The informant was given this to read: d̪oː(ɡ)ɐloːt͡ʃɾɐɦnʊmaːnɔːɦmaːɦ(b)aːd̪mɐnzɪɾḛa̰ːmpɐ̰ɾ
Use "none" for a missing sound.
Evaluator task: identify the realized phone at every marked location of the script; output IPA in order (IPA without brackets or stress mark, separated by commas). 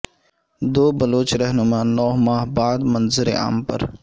b, b